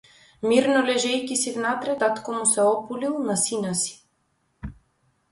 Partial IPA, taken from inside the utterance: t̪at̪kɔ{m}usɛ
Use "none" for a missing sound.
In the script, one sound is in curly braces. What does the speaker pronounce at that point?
m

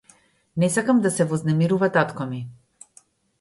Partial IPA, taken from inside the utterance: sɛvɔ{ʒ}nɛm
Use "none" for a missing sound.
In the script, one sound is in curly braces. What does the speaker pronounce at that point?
z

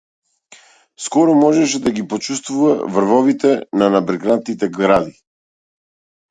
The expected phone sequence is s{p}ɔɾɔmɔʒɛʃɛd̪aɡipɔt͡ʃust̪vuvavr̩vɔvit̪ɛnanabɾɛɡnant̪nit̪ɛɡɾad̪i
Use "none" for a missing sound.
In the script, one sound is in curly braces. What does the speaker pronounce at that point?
k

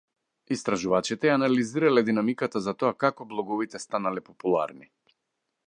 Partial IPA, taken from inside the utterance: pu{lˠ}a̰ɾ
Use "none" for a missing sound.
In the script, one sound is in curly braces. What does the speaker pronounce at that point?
lˠ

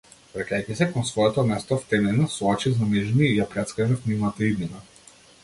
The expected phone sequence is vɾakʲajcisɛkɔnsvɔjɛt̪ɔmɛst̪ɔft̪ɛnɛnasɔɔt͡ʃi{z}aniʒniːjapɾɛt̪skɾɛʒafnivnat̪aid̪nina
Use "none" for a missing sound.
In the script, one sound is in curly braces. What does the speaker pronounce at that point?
z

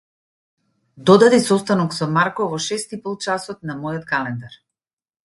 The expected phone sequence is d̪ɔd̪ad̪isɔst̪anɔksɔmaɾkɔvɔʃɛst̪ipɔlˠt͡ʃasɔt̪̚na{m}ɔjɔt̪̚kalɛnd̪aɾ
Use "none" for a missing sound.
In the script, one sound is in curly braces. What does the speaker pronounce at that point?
m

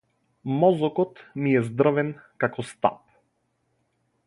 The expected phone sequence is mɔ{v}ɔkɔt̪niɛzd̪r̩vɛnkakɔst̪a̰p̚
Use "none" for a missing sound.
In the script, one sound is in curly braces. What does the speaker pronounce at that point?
z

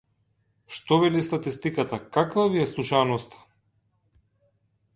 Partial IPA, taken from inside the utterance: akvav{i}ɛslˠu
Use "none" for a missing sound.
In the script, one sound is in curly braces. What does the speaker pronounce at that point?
i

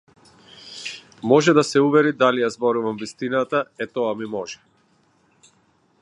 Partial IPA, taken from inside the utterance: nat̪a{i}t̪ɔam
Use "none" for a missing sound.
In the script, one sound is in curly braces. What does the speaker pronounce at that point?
ɛ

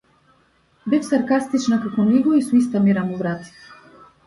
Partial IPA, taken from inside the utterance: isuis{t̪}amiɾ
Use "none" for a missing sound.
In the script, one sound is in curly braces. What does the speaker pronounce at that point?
t̪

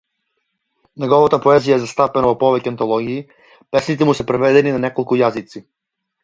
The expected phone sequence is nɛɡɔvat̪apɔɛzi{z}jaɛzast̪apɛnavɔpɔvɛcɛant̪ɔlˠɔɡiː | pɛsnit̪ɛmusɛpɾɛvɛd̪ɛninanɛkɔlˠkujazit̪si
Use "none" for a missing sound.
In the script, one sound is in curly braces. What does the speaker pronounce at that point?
none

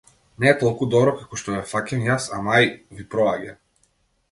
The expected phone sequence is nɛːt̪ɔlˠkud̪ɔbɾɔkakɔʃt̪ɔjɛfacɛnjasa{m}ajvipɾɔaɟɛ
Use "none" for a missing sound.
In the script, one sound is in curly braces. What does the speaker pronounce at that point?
m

